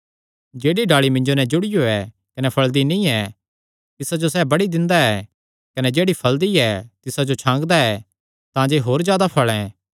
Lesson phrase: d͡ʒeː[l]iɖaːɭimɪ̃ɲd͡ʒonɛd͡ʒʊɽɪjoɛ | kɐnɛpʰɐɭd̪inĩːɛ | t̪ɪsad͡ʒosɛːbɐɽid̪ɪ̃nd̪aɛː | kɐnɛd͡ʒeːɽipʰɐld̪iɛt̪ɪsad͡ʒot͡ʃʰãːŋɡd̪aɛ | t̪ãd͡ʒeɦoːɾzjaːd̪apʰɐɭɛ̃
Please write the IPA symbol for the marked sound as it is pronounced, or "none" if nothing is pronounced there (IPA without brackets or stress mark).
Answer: ɽ